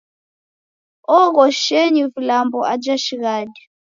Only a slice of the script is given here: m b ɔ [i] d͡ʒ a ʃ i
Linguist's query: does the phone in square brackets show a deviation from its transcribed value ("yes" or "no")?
yes